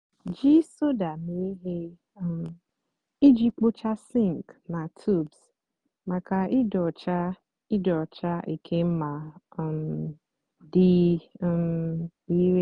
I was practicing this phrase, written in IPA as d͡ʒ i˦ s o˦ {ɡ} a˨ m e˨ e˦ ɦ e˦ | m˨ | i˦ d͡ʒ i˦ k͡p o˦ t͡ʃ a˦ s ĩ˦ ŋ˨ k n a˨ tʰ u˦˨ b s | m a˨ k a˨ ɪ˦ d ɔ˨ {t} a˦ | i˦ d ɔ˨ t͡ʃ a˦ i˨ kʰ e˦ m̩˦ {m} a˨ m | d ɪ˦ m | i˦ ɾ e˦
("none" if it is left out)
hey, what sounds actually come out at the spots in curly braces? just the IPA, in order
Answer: d, t͡ʃ, m

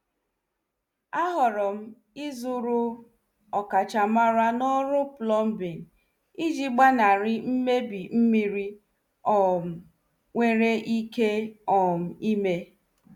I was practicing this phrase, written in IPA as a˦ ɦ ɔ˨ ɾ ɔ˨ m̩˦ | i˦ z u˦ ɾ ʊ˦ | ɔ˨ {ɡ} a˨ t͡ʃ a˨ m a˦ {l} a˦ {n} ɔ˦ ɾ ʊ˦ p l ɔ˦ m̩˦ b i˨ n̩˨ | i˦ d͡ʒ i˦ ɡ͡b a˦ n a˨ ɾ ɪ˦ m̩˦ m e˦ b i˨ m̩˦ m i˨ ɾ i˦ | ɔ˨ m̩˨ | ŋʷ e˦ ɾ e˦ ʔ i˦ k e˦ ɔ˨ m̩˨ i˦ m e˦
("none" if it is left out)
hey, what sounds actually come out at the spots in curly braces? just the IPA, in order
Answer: k, ɾ, n

